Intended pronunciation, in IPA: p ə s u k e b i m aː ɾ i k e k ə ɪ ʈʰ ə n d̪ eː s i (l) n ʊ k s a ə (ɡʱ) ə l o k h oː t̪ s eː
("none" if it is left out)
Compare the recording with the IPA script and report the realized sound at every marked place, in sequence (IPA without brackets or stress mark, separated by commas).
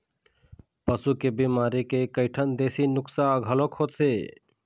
none, ɡʱ